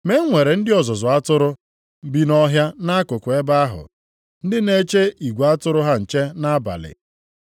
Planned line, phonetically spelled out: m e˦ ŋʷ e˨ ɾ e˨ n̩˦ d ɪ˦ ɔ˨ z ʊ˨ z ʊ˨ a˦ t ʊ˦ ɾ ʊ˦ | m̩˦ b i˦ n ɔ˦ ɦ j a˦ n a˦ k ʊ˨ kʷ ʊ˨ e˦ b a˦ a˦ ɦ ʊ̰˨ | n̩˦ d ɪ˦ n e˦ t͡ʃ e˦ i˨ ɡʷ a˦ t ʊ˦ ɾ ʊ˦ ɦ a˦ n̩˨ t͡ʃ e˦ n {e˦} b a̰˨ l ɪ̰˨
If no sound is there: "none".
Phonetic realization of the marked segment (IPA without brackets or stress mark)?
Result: a˦